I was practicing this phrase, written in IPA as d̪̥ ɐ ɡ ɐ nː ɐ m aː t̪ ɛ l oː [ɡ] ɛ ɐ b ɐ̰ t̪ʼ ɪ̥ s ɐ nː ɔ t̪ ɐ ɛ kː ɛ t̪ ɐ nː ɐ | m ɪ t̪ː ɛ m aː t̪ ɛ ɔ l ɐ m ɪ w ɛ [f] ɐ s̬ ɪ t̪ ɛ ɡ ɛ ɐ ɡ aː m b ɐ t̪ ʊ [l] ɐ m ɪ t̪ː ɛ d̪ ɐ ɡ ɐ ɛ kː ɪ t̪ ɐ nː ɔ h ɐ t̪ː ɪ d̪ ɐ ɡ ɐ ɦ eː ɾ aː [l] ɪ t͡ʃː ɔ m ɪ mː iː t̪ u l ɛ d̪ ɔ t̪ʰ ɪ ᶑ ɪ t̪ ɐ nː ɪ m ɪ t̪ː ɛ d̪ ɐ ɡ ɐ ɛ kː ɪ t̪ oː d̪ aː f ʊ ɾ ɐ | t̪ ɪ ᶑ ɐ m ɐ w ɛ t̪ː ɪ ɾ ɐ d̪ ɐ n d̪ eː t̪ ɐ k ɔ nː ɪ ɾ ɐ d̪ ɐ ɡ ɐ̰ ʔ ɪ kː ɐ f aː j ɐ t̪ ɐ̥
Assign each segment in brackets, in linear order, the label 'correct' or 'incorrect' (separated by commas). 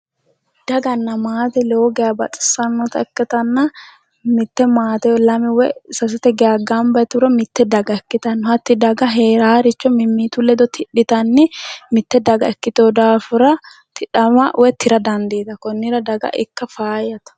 correct, incorrect, incorrect, incorrect